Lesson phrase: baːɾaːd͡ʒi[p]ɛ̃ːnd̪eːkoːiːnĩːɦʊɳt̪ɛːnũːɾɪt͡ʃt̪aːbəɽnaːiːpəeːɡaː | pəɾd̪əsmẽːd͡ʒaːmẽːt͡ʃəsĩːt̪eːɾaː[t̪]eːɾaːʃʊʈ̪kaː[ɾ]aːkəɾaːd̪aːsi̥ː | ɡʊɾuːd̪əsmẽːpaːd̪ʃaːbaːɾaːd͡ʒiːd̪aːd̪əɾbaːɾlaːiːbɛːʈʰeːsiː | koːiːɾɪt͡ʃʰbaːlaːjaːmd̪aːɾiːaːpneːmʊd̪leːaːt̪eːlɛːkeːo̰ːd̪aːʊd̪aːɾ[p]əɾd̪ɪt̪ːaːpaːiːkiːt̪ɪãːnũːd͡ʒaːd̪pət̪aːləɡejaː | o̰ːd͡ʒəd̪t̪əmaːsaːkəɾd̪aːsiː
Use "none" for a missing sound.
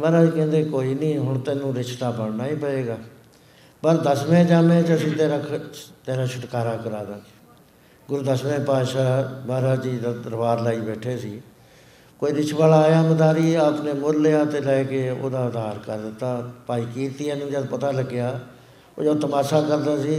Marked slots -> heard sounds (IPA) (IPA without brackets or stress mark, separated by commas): k, t̪, ɾ, k